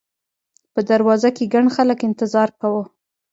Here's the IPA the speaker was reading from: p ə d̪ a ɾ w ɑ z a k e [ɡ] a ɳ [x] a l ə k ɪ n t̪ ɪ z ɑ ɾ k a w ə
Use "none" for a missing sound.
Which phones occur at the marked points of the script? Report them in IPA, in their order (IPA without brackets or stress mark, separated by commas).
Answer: ɡ, x